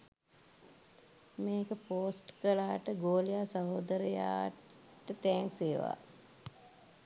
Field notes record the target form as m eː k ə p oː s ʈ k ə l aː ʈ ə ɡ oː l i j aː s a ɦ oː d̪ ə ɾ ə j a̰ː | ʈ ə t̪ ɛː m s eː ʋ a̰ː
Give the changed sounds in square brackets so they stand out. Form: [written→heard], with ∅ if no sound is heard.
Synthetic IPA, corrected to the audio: m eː k ə p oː s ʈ k ə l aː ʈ ə ɡ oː l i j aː s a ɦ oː d̪ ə ɾ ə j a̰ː | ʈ ə t̪ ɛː [m→ŋ] s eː ʋ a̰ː